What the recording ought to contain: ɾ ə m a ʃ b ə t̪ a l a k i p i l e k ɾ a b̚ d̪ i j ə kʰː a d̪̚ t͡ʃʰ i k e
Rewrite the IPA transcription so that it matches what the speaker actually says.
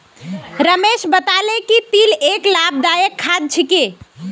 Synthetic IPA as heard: ɾ ə m e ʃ b ə t̪ a l e k i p i l e k l a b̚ d̪ a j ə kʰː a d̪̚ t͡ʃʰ i k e